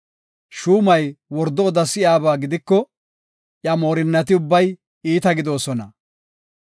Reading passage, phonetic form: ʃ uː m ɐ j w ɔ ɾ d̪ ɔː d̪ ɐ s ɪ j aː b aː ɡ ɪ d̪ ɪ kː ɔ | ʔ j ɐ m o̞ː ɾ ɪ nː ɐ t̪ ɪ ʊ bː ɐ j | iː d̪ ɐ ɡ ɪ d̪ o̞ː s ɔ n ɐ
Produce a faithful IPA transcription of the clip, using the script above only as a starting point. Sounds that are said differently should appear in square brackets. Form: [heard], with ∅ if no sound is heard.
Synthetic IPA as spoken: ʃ uː m ɐ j w ɔ ɾ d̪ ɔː d̪ ɐ s ɪ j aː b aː ɡ ɪ d̪ ɪ kː ɔ | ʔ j ɐ m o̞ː ɾ ɪ nː ɐ t̪ ɪ ʊ bː ɐ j | iː [t̪] ɐ ɡ ɪ d̪ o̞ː s ɔ n ɐ